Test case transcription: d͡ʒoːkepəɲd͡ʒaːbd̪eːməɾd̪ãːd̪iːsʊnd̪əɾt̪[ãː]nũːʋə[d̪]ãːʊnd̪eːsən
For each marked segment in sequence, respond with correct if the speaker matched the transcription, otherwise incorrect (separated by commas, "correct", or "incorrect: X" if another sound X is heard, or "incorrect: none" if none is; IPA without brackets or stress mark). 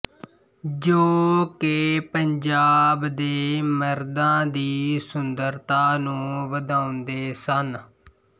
incorrect: aː, correct